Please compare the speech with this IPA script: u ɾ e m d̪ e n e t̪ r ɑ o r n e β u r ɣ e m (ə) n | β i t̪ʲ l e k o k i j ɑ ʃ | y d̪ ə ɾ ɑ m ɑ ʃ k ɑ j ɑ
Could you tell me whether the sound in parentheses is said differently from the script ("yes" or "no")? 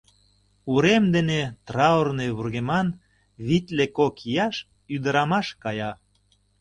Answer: yes